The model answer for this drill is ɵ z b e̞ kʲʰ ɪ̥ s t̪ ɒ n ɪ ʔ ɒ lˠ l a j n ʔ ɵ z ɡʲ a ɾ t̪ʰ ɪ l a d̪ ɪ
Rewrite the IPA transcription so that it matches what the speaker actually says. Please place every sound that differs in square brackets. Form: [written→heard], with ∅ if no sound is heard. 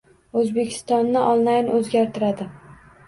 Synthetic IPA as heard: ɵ z b e̞ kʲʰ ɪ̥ s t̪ ɒ [n→nː] ɪ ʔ ɒ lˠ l a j n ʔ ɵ z ɡʲ a ɾ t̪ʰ ɪ [l→ɾ] a d̪ ɪ